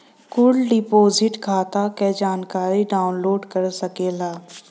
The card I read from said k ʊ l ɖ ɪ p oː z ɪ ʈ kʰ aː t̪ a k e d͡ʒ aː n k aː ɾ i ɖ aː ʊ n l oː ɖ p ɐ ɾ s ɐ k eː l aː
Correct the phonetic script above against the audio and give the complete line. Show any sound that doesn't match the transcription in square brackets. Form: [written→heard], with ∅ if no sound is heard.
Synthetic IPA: k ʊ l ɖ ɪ p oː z ɪ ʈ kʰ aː t̪ a k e d͡ʒ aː n k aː ɾ i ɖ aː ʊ n l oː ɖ [p→k] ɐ ɾ s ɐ k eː l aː

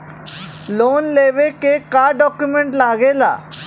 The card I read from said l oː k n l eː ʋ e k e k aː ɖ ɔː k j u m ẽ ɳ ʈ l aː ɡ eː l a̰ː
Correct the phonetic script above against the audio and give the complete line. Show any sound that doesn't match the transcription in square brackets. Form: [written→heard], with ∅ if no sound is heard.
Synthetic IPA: l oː [k→∅] n l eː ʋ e k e k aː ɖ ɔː k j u m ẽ ɳ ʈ l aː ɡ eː l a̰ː

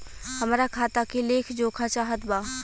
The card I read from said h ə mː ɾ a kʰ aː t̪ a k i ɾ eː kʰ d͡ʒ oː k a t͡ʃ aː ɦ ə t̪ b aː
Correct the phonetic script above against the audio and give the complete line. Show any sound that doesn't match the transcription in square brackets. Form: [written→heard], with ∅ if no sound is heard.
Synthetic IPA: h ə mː ɾ a kʰ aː t̪ a k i [ɾ→l] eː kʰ d͡ʒ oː [k→kʰ] a t͡ʃ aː ɦ ə t̪ b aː

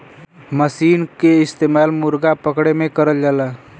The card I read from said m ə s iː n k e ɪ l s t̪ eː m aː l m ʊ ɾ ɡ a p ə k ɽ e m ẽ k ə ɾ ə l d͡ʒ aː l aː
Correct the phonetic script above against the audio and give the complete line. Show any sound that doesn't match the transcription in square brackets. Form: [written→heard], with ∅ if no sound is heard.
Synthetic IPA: m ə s iː n k e ɪ [l→∅] s t̪ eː m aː l m ʊ ɾ ɡ a p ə k ɽ e m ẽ k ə ɾ ə l d͡ʒ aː l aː

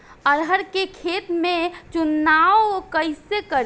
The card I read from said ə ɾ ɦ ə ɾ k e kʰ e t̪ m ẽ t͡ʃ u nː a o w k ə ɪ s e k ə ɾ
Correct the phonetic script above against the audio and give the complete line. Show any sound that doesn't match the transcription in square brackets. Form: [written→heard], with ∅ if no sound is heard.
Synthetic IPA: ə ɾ ɦ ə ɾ k e kʰ e t̪ m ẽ t͡ʃ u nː a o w k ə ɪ s e k ə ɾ

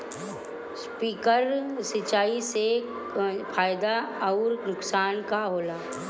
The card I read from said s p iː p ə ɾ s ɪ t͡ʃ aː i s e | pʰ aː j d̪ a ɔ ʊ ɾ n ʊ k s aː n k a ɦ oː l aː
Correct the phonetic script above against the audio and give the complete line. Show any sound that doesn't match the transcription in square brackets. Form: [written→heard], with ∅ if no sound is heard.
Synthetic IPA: s p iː [p→k] ə ɾ s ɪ t͡ʃ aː i s e | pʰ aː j d̪ a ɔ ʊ ɾ n ʊ k s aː n k a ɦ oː l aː

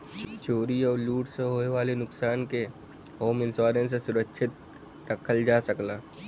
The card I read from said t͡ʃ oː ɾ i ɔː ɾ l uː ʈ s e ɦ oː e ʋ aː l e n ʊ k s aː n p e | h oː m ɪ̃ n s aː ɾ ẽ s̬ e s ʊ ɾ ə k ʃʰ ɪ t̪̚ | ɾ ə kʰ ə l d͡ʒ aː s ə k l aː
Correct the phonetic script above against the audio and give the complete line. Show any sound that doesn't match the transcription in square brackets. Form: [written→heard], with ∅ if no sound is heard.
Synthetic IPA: t͡ʃ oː ɾ i ɔː ɾ l uː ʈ s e ɦ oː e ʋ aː l e n ʊ k s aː n [p→k] e | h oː m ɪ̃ n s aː ɾ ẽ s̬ e s ʊ ɾ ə k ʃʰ ɪ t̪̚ | ɾ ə kʰ ə l d͡ʒ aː s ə k l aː

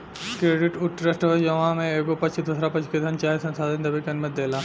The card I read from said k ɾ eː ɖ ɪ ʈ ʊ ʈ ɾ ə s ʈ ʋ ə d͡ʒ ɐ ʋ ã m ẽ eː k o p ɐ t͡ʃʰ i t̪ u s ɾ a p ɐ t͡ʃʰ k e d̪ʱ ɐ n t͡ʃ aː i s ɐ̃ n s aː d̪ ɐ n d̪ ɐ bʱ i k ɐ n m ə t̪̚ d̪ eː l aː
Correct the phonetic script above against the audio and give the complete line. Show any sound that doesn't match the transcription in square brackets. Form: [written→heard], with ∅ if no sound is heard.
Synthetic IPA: k ɾ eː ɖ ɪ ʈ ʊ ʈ ɾ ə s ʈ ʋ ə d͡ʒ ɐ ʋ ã m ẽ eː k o p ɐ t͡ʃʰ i [t̪→d̪] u s ɾ a p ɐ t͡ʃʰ k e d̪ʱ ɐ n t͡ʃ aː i s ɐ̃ n s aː d̪ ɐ n d̪ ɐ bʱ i k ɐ n m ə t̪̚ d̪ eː l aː

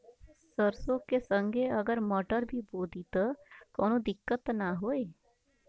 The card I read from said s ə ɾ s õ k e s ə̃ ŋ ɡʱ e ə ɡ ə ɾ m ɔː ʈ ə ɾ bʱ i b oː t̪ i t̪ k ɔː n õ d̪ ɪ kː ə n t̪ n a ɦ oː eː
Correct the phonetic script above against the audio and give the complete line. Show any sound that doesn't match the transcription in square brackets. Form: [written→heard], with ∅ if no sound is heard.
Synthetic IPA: s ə ɾ s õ k e s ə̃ ŋ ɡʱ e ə ɡ ə ɾ m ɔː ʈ ə ɾ bʱ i b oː [t̪→d̪] i t̪ k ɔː n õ d̪ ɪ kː ə [n→∅] t̪ n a ɦ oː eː

